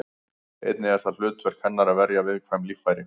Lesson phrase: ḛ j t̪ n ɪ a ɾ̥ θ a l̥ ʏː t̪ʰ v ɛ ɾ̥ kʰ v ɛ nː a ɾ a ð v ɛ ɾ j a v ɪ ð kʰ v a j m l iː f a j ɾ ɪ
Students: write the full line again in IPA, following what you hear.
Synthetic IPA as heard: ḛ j t̪ n ɪ ɛ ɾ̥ θ a l̥ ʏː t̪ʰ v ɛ ɾ̥ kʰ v ɛ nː a ɾ a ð v ɛ ɾ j a v ɪ ð kʰ v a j m l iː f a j ɾ ɪ